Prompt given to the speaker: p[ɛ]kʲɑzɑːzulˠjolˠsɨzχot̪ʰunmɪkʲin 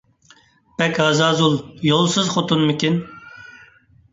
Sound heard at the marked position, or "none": ɛ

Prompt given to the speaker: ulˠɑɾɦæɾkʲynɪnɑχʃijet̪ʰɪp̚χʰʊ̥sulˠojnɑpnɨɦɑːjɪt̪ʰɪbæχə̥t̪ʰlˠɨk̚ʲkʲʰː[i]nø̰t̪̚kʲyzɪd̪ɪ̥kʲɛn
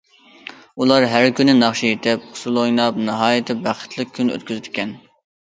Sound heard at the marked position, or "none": y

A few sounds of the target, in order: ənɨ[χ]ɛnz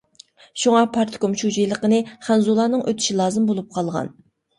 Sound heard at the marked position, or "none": χ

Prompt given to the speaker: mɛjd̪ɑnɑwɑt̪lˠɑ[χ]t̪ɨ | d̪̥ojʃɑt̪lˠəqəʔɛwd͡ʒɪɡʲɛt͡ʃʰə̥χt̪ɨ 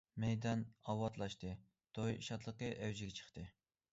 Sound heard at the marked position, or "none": ʃ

